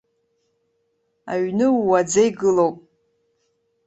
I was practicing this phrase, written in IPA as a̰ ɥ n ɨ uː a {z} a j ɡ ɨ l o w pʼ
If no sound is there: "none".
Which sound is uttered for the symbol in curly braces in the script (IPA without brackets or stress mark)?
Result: d͡z